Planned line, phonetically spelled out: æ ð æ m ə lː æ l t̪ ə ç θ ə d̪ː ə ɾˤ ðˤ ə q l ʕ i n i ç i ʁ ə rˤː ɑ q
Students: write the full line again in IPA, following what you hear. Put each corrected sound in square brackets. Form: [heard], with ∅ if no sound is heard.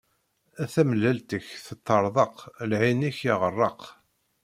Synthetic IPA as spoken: æ [θ] æ m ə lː æ l t̪ ə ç θ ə [t̪ː] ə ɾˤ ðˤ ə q l ʕ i n i ç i ʁ ə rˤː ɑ q